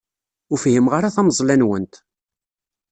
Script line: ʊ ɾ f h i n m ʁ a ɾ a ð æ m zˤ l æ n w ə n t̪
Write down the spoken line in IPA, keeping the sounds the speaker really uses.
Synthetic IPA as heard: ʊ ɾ f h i m ʁ a ɾ a θ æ m zˤ l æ n w ə n t̪